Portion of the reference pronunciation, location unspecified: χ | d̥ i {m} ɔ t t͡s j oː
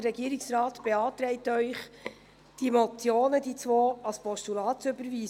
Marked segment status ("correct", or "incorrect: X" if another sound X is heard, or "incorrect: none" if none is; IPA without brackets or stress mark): correct